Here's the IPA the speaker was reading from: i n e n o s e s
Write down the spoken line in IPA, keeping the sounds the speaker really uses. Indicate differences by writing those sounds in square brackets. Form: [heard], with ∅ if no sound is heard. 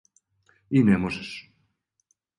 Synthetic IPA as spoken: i n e [m] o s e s